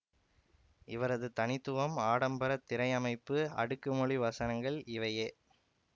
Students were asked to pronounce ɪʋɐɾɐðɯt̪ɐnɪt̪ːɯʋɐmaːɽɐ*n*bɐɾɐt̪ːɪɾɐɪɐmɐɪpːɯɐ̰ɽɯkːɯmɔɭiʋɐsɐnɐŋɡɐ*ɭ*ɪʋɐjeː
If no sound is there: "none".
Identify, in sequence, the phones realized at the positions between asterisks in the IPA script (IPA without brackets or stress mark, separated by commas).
m, ɭ